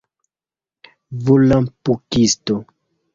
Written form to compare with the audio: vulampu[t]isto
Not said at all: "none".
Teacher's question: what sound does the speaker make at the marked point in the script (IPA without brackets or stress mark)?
k